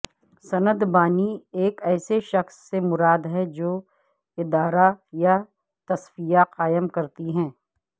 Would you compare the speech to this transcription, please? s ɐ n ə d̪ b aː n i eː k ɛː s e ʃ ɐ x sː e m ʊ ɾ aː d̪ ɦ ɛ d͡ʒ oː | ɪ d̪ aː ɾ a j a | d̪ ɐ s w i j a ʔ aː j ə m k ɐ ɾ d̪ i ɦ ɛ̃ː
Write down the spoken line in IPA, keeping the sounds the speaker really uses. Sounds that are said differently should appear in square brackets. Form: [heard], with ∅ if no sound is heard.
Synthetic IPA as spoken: s ɐ n ə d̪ b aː n i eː k ɛː s e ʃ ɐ x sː e m ʊ ɾ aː d̪ ɦ ɛ d͡ʒ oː | ɪ d̪ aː ɾ a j a | [t̪] ɐ s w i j a [q] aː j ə m k ɐ ɾ [t̪] i ɦ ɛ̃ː